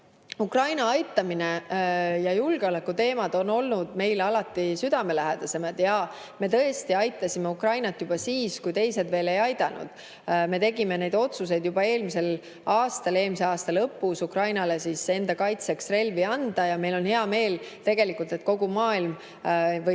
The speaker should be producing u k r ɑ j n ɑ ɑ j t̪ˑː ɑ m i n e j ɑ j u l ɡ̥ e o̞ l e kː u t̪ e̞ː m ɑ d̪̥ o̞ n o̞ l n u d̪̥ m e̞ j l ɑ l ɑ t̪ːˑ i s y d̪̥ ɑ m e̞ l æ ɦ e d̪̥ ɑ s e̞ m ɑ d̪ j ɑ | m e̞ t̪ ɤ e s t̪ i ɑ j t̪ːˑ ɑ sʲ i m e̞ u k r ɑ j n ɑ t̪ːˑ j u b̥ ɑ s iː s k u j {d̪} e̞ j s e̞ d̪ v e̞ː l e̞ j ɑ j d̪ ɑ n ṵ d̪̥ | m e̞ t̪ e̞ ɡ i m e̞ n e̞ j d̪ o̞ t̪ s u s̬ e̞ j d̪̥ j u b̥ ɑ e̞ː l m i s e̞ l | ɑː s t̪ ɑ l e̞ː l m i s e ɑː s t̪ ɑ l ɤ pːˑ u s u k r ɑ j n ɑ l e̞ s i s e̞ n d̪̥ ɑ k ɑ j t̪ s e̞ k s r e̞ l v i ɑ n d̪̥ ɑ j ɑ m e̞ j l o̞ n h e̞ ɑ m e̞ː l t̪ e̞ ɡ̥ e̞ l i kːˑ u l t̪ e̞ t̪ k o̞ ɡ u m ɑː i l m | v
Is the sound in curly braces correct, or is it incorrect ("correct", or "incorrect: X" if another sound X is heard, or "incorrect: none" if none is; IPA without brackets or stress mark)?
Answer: incorrect: t̪